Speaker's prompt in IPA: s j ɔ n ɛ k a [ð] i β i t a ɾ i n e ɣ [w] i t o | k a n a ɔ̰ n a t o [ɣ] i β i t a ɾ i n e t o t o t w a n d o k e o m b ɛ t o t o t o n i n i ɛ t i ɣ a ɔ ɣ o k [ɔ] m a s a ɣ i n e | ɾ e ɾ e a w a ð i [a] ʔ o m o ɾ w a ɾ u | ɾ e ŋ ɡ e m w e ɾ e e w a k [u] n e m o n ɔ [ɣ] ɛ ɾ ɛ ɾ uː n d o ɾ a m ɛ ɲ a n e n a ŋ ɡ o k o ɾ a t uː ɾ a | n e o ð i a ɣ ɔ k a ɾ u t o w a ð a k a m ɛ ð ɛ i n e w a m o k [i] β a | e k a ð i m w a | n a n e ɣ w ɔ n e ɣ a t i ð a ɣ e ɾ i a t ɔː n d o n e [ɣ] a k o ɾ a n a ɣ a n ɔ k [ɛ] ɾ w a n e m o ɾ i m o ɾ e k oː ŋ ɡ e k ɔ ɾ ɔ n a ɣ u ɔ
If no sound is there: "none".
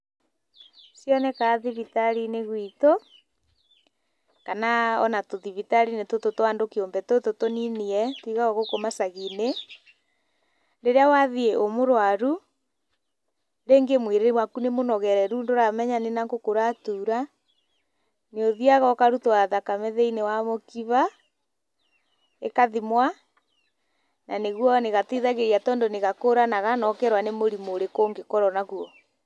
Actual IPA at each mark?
ð, w, ð, o, e, u, ɣ, i, ɣ, ɛ

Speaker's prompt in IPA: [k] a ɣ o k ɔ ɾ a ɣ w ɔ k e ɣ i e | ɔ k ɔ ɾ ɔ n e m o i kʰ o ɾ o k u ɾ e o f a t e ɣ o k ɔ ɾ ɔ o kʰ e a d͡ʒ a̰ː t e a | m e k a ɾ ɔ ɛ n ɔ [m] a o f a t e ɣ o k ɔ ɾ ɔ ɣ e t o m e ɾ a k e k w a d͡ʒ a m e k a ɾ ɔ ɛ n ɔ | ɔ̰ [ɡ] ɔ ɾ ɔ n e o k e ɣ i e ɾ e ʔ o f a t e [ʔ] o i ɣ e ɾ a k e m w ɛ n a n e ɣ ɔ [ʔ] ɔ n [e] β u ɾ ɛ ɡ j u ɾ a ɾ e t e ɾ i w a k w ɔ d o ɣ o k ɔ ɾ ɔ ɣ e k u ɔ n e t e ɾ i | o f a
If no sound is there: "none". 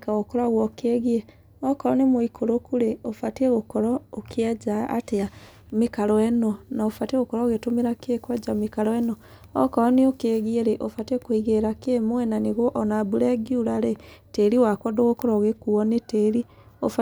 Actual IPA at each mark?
k, n, k, k, ʔ, a

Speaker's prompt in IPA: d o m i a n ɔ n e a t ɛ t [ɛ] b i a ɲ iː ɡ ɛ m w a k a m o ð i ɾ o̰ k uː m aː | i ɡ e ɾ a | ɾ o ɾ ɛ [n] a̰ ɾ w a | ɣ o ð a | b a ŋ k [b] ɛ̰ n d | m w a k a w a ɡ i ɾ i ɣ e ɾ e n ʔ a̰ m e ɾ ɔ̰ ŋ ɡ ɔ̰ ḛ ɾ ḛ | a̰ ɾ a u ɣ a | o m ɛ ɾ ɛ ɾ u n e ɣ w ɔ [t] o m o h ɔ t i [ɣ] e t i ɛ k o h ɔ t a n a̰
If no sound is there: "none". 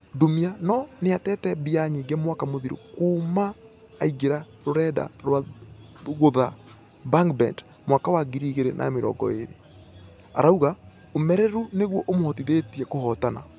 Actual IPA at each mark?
ɛ, d, b, ʔ, ð

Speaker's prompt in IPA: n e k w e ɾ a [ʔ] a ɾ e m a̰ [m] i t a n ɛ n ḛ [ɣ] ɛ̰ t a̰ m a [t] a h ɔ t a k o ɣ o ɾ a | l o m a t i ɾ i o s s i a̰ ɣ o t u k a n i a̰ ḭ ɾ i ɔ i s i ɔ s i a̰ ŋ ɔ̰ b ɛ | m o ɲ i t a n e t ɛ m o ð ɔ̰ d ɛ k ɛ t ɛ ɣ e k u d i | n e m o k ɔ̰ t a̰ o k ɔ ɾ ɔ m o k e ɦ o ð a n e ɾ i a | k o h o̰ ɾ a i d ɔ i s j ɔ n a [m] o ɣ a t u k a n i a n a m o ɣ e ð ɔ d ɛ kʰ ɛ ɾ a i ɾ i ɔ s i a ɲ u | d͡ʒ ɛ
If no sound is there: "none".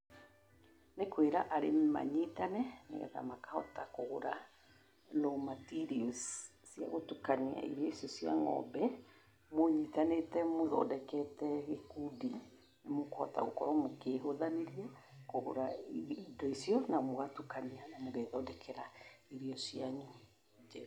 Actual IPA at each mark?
ʔ, ɲ, ɣ, k, m

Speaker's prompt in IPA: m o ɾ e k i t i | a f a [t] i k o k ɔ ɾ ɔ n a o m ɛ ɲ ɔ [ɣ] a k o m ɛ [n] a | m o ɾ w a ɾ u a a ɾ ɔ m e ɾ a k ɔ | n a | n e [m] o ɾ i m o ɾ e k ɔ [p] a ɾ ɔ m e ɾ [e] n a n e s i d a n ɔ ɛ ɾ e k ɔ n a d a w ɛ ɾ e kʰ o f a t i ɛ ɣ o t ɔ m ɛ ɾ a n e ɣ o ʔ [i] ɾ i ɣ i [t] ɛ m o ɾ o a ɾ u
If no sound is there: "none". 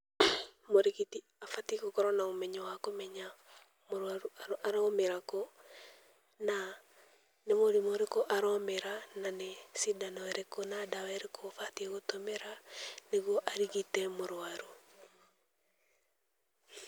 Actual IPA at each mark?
t, w, ɲ, m, ʔ, a, a, t

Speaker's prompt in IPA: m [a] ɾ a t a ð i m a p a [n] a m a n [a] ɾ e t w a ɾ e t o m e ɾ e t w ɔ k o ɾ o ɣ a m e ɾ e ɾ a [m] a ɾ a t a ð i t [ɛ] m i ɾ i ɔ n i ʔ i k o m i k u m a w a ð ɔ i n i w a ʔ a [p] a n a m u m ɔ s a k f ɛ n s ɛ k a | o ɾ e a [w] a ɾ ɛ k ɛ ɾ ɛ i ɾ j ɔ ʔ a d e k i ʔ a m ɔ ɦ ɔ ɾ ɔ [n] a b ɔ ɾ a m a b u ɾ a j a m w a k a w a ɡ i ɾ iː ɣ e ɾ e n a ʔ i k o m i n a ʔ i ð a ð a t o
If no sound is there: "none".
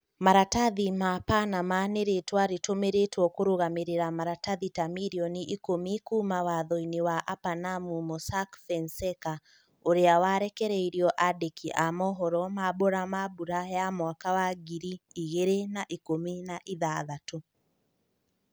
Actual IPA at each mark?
a, n, e, m, a, p, w, m

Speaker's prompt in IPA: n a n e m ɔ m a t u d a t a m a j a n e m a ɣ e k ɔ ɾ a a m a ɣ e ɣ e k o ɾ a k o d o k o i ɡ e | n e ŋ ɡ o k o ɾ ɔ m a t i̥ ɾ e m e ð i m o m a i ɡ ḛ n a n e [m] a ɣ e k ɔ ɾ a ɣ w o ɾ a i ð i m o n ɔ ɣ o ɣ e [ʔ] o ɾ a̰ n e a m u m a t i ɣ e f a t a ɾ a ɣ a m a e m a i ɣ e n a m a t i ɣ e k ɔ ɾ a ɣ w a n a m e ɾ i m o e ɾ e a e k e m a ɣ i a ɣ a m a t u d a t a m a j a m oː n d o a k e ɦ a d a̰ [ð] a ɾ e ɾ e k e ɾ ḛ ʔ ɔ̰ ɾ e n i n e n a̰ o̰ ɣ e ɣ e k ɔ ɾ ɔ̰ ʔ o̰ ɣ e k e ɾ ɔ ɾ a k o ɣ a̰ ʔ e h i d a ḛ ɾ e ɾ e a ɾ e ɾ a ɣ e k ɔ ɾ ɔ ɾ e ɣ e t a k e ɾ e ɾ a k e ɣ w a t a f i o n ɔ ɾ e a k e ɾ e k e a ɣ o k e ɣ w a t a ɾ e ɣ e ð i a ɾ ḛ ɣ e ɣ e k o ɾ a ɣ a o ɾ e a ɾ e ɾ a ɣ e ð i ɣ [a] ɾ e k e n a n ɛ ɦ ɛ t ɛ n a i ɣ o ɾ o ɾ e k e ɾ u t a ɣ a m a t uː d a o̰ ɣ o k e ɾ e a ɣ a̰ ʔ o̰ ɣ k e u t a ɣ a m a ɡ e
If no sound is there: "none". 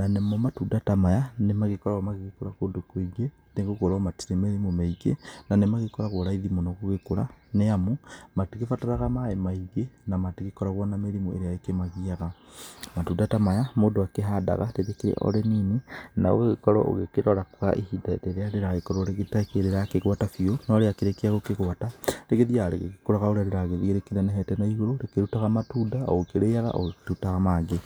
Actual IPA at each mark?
m, k, ɣ, e

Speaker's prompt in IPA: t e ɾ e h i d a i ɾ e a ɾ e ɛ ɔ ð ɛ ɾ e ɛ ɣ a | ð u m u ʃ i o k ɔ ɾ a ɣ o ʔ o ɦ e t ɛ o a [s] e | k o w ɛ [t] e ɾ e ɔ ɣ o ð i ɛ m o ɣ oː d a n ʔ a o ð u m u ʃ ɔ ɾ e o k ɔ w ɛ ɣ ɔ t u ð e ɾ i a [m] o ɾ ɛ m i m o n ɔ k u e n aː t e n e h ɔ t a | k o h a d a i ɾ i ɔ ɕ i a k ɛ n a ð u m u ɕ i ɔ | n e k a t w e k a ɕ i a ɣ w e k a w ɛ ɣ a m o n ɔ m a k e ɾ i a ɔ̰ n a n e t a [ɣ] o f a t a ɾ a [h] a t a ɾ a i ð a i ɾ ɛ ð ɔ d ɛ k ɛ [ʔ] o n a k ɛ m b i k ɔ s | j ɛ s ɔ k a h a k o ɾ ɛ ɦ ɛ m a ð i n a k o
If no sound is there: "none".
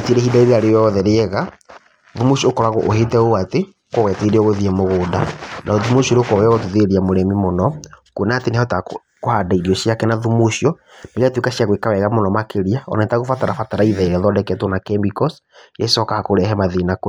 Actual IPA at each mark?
t, t, m, ɣ, f, t

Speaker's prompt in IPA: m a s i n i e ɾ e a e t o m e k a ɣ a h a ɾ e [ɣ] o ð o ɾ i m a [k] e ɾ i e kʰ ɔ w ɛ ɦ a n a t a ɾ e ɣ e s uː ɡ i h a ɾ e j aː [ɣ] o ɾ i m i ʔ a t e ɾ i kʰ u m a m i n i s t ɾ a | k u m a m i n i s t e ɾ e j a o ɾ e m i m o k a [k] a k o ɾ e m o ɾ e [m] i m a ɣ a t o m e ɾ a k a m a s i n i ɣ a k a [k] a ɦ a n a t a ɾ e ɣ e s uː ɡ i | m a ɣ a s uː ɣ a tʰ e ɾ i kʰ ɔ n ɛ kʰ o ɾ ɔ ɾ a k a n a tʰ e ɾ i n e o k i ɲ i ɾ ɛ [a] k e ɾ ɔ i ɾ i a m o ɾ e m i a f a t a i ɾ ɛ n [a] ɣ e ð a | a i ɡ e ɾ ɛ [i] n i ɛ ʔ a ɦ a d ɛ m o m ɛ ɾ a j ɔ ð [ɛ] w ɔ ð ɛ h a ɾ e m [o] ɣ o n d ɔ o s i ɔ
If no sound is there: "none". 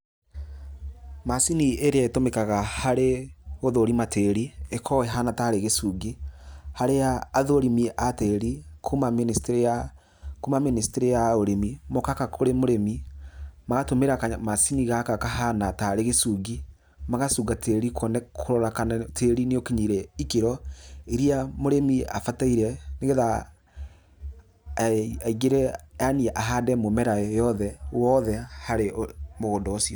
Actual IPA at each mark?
ɣ, t, ð, k, m, k, i, e, a, ɛ, o

